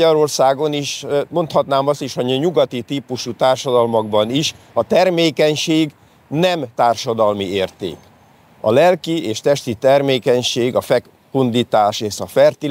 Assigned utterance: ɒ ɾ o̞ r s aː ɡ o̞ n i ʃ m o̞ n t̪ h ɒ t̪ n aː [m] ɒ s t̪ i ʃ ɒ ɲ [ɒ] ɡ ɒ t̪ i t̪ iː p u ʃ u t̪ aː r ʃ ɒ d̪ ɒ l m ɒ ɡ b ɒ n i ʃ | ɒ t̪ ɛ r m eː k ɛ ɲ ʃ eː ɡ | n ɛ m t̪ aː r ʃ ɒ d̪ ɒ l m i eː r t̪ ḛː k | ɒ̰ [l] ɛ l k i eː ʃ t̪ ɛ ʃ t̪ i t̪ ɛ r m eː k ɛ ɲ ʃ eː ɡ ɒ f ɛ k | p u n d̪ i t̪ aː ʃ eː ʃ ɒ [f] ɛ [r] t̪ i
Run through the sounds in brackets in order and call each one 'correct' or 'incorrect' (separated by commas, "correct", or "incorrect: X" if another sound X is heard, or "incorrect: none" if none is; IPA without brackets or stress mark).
correct, incorrect: u, correct, correct, correct